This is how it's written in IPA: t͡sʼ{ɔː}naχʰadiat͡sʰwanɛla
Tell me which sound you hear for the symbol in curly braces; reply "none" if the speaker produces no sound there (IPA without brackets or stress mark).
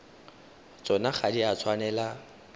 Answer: ɔ